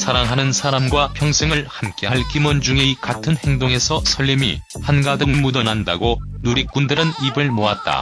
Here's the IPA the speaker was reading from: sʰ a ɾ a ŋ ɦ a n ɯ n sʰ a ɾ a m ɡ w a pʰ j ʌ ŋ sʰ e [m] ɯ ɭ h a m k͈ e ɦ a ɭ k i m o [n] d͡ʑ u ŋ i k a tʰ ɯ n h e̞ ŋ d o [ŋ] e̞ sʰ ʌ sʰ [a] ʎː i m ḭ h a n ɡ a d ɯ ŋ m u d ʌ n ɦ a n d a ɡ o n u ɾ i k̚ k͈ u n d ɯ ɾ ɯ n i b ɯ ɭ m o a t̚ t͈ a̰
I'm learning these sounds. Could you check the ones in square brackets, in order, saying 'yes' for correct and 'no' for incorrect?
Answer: no, yes, yes, no

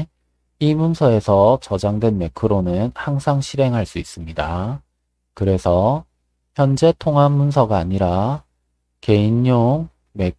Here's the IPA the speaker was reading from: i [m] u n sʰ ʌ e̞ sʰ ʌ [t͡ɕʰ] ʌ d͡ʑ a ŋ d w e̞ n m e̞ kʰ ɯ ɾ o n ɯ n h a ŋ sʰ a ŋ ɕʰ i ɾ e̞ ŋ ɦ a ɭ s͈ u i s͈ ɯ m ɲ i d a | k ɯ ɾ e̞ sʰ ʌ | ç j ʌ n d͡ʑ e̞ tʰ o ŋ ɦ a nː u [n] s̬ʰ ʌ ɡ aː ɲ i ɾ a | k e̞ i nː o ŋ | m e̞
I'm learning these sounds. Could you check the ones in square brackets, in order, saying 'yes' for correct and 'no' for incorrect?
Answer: yes, no, yes

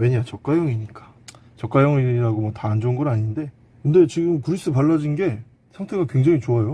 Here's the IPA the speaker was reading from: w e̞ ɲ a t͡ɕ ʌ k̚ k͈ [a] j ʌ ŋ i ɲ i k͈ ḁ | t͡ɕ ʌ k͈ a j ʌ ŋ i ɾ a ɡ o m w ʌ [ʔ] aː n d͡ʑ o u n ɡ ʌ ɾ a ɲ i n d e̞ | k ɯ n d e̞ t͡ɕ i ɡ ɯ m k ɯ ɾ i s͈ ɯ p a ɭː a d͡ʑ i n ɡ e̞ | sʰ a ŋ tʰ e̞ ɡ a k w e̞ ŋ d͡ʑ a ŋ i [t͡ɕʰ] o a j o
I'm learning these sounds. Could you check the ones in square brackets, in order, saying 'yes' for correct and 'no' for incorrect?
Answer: yes, no, no

